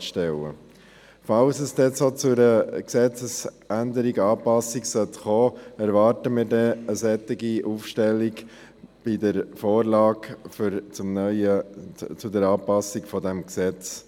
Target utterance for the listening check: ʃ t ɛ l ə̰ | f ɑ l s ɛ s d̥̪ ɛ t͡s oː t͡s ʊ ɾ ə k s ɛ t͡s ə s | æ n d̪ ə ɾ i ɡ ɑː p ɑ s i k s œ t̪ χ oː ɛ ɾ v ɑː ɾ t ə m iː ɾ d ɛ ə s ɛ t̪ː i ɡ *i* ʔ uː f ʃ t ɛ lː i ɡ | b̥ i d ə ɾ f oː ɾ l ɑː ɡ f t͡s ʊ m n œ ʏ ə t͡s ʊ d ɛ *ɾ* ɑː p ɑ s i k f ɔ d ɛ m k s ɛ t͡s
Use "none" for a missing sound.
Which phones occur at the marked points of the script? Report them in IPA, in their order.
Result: i, ɾ

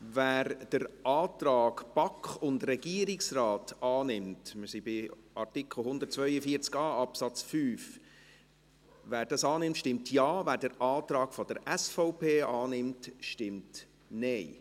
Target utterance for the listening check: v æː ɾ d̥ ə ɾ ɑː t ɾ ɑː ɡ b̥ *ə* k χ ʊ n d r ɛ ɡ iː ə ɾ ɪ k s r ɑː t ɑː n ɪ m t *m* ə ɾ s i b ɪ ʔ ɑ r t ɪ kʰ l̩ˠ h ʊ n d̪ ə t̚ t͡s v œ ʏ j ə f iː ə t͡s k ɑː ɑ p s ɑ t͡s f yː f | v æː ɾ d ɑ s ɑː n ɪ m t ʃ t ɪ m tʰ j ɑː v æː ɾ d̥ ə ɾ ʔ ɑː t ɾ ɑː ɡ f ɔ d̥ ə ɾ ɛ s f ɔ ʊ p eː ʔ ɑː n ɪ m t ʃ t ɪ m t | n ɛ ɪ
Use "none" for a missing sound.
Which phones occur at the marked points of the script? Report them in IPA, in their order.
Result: ɑ, m

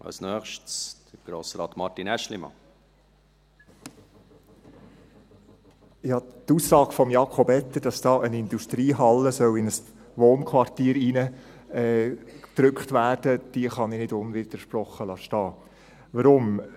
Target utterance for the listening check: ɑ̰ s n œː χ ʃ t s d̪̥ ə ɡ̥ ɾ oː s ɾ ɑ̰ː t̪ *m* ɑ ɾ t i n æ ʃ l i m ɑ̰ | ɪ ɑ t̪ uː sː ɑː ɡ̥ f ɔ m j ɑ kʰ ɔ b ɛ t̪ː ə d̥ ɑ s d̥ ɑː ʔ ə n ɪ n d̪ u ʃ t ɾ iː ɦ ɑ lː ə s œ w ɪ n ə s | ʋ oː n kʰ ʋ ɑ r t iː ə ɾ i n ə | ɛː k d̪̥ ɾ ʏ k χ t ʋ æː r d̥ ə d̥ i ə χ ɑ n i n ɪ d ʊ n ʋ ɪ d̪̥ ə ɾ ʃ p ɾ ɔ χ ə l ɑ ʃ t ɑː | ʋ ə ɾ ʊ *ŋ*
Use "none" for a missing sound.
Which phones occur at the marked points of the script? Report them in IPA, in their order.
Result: m, m

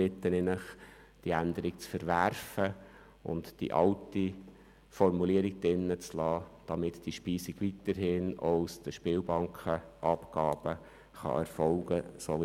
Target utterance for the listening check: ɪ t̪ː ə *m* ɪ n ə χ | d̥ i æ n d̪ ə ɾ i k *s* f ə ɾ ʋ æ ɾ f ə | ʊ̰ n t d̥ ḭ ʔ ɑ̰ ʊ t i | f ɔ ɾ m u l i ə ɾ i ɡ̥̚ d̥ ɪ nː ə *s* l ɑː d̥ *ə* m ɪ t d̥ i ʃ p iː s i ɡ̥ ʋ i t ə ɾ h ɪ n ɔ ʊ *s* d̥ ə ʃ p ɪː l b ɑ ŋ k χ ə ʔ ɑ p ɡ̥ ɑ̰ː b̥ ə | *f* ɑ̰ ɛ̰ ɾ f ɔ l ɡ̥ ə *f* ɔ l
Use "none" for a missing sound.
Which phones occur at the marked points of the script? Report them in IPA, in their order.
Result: n, t͡s, t͡s, ɑ, s, χ, s

